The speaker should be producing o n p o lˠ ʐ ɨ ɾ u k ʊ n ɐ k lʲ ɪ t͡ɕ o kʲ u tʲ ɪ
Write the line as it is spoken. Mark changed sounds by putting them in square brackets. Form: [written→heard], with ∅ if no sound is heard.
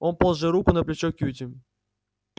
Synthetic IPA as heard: o n p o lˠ ʐ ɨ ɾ u k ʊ n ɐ [k→p] lʲ ɪ t͡ɕ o kʲ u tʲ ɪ